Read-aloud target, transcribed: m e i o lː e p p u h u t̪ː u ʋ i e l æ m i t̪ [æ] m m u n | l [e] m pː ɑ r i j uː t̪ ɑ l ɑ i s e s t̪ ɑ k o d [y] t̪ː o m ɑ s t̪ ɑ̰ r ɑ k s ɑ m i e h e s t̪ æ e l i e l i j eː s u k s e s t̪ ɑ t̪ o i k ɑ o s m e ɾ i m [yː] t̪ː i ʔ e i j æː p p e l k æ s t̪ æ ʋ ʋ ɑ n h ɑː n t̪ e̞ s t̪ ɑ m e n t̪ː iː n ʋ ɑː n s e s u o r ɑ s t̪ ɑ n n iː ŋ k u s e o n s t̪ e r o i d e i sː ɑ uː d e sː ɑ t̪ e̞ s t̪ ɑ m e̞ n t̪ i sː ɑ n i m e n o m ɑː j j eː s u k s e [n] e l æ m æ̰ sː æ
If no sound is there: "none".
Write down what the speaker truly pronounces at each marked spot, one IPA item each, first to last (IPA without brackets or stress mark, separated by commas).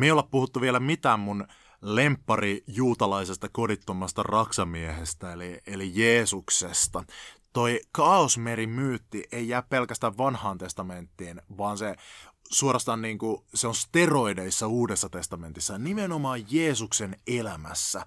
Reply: æː, e, i, yː, n